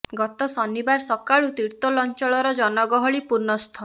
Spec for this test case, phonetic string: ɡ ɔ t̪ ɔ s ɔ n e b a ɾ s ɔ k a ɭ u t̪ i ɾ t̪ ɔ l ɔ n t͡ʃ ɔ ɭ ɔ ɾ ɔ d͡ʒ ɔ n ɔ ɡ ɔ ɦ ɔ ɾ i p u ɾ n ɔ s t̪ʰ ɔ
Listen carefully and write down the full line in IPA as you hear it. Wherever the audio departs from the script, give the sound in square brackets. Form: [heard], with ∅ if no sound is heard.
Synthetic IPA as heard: ɡ ɔ t̪ ɔ s ɔ n [i] b a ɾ s ɔ k a ɭ u t̪ i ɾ t̪ ɔ l ɔ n t͡ʃ ɔ ɭ ɔ ɾ ɔ d͡ʒ ɔ n ɔ ɡ ɔ ɦ ɔ [ɭ] i p u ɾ n ɔ s t̪ʰ ɔ